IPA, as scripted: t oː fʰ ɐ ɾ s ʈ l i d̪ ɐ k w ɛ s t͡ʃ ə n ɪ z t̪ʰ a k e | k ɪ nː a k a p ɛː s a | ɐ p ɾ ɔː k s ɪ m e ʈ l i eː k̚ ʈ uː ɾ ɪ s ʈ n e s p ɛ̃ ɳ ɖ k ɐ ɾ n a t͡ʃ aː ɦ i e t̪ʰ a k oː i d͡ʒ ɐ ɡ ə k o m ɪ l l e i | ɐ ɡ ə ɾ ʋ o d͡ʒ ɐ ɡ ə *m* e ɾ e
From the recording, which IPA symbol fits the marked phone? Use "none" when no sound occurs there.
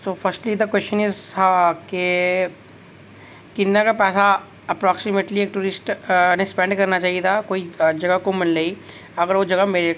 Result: m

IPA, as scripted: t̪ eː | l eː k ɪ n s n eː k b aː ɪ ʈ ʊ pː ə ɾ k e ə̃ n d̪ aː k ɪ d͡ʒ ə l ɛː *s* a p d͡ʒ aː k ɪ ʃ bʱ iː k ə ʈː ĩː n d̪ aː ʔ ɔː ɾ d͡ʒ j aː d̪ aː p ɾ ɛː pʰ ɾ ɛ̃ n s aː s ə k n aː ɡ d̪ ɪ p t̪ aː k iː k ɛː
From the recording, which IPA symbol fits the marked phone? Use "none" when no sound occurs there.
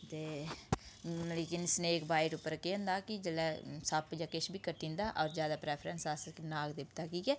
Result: s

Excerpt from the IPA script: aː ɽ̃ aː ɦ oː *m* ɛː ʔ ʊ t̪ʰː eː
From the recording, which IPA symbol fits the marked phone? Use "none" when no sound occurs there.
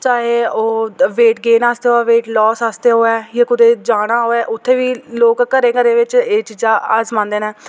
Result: none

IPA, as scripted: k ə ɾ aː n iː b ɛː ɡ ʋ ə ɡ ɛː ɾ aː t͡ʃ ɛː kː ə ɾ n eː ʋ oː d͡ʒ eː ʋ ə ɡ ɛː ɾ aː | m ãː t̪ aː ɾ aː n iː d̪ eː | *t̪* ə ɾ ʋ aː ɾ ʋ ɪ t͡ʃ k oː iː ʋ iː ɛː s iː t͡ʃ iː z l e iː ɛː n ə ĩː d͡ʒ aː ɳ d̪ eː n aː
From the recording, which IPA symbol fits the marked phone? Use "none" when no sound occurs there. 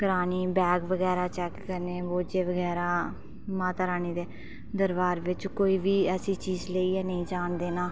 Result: d̪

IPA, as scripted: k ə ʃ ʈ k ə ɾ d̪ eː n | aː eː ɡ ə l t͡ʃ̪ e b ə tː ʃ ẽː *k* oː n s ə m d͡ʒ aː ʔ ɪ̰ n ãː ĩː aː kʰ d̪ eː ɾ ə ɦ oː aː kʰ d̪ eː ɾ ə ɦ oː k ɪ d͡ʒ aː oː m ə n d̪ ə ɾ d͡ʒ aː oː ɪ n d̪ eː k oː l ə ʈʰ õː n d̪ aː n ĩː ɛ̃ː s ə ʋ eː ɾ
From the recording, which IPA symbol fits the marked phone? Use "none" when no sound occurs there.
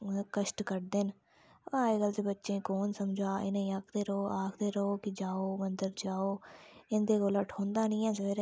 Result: k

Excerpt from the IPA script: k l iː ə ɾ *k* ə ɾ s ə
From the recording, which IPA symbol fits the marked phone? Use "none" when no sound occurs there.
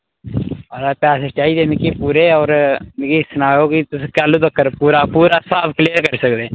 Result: k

